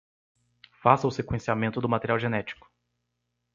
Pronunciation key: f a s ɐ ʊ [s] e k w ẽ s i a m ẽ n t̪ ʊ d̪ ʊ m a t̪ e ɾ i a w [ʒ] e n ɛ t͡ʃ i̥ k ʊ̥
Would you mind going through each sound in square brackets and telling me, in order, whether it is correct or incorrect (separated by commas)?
correct, correct